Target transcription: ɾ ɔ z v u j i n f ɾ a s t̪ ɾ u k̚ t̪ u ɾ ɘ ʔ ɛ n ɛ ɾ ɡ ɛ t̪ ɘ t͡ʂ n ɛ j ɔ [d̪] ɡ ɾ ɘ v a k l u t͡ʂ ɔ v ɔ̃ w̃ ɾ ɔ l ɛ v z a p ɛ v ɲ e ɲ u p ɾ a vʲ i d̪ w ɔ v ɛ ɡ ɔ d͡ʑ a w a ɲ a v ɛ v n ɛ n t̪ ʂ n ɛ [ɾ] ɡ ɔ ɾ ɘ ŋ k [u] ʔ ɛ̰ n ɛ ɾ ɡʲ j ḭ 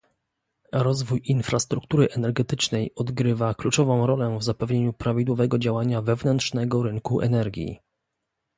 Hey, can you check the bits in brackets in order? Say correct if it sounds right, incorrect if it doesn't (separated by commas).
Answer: correct, incorrect, correct